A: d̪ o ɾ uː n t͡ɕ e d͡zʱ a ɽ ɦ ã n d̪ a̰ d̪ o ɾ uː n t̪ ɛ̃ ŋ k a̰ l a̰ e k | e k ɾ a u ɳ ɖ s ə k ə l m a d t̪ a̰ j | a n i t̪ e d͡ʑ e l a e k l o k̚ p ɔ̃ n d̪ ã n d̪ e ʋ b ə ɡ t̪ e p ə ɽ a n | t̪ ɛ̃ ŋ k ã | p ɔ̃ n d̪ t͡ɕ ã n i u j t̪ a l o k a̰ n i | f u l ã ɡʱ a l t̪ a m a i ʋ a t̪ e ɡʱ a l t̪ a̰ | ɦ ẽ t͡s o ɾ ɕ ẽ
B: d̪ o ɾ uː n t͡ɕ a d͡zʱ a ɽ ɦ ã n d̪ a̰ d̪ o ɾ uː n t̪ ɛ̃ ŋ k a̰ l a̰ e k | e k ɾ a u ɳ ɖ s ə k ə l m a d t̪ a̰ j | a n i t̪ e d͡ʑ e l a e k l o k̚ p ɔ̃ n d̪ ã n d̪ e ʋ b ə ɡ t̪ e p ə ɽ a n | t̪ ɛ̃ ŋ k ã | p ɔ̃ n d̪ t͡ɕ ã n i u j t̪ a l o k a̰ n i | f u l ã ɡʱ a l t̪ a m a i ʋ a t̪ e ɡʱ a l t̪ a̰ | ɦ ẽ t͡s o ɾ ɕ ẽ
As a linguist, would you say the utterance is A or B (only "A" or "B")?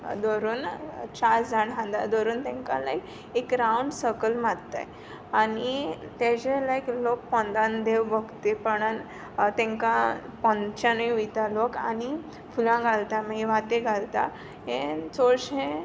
B